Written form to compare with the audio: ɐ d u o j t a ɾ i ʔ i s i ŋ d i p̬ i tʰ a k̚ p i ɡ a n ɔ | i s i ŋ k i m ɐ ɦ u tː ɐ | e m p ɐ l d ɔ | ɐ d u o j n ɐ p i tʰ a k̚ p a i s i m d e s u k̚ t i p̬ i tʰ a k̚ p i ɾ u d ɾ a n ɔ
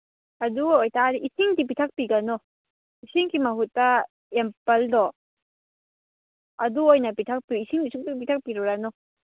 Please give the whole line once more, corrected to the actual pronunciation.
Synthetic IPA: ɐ d u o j t a ɾ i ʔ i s i ŋ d i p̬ i tʰ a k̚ p i ɡ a n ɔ | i s i ŋ k i m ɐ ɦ u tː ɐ | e m p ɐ l d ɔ | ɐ d u o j n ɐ p i tʰ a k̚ p i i s i ŋ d i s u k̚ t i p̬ i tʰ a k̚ p i ɾ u ɾ a n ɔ